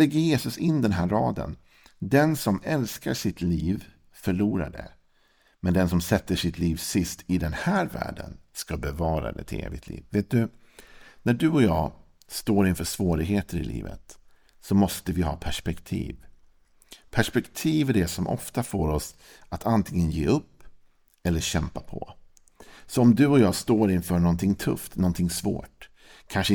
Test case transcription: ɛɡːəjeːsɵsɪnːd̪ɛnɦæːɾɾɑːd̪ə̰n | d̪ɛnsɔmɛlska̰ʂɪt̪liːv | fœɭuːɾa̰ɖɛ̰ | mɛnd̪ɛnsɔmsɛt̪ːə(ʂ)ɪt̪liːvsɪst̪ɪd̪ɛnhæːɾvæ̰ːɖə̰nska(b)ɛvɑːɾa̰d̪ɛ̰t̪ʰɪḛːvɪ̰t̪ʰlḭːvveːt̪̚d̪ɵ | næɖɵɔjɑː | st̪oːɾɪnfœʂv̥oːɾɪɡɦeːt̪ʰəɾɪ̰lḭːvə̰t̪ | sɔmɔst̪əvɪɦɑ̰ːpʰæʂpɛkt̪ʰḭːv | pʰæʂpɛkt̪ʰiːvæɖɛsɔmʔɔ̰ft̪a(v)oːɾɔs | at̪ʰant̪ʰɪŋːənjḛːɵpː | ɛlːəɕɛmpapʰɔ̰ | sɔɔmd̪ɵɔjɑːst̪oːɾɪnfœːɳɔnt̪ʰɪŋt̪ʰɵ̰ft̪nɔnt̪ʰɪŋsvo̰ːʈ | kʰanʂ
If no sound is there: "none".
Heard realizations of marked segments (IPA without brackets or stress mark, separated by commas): ʂ, b, f